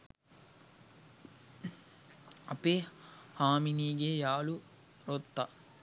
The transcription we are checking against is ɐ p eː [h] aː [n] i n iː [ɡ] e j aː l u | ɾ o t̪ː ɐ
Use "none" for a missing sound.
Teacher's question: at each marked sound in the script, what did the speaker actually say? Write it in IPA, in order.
h, m, ɡ

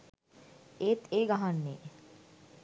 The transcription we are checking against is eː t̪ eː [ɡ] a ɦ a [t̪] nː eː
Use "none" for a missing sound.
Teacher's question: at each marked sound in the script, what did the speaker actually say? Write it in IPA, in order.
ɡ, none

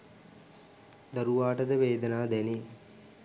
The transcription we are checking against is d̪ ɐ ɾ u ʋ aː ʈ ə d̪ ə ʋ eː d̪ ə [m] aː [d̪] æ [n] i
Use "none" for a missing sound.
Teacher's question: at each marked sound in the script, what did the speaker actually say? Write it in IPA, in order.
n, d̪, n

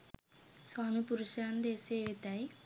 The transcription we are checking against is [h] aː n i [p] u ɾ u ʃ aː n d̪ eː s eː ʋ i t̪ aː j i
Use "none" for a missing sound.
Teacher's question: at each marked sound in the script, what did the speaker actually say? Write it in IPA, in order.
s, p

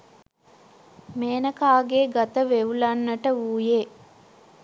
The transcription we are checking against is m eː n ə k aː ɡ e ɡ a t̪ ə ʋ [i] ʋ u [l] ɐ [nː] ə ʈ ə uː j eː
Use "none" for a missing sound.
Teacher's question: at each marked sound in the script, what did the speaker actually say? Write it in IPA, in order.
e, l, nː

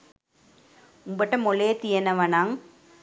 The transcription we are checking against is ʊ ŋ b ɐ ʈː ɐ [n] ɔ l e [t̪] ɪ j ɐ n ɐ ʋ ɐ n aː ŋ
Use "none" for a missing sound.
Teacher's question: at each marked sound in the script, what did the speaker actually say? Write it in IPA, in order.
m, t̪

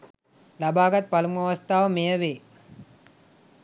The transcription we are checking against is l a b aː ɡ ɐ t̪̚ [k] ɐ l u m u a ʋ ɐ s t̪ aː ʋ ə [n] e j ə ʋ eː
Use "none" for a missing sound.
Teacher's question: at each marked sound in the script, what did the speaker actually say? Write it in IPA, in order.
p, m

